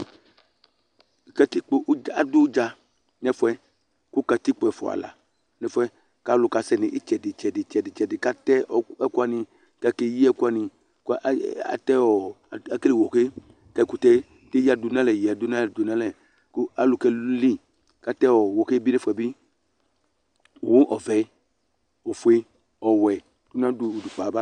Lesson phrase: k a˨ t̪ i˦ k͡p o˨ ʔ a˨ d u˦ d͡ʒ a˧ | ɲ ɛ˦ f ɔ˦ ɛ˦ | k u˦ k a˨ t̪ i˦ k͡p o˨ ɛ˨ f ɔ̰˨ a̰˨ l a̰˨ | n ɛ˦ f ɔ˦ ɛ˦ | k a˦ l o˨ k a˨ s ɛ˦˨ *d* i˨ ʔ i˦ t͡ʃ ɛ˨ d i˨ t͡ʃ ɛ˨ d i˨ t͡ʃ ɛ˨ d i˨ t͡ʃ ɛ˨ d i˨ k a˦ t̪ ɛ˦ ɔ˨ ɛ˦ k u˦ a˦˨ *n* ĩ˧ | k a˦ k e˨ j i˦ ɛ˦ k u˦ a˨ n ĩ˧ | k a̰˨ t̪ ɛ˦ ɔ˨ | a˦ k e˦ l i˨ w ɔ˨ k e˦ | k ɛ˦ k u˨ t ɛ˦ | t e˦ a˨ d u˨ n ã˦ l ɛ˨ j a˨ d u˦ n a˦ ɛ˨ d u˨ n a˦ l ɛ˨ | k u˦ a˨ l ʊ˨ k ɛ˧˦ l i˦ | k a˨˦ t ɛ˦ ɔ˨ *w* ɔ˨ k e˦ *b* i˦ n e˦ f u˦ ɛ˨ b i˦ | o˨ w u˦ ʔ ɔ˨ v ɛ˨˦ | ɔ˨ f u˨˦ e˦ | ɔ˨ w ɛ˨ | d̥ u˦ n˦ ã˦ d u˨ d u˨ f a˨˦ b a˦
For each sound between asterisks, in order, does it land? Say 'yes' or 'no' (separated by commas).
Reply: no, yes, yes, yes